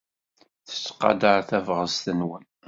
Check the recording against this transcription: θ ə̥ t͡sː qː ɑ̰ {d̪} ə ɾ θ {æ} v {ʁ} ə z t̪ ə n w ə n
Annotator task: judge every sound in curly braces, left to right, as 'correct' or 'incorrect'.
correct, correct, correct

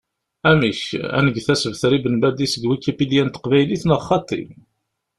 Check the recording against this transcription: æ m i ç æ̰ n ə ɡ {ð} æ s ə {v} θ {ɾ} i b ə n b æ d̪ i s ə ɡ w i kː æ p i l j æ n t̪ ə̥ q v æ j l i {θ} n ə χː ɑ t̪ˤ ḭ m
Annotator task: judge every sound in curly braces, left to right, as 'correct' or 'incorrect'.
incorrect: θ, correct, correct, correct

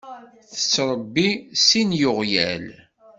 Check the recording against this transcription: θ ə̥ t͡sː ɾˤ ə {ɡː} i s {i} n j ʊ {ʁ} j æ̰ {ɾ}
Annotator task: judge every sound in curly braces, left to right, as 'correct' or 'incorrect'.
incorrect: bː, correct, correct, incorrect: l

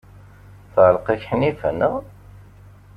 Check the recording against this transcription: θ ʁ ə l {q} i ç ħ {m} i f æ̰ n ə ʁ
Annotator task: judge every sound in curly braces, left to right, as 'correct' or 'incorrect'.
correct, incorrect: n

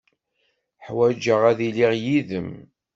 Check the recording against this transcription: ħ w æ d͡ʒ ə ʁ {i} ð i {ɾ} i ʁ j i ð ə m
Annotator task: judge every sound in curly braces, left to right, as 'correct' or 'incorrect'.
incorrect: æ, incorrect: l

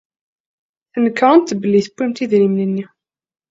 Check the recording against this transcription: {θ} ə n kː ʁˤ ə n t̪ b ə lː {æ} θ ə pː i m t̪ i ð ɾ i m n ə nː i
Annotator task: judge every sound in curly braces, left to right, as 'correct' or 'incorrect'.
correct, incorrect: i

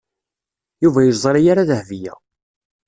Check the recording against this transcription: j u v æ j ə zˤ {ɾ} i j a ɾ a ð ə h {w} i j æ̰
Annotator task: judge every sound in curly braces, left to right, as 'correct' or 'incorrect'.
correct, incorrect: v

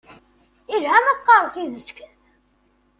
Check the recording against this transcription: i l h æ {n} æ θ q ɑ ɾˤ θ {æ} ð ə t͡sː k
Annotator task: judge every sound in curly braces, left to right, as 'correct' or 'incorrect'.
incorrect: m, incorrect: i

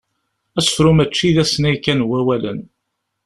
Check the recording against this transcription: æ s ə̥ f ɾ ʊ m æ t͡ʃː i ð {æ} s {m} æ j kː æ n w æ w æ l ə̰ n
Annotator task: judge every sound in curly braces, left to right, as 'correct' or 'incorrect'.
correct, incorrect: n

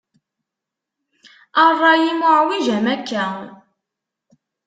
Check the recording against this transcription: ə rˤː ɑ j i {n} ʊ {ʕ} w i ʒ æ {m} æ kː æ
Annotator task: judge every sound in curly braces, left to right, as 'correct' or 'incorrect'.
incorrect: m, correct, correct

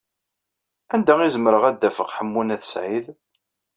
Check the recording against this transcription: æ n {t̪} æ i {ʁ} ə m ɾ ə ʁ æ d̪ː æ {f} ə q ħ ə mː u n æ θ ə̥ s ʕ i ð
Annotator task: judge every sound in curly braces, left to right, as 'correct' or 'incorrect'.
incorrect: d̪, incorrect: z, correct

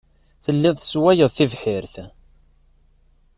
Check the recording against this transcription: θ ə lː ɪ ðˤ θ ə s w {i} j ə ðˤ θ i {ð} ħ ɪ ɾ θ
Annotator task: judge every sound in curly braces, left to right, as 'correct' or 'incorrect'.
incorrect: æ, incorrect: v

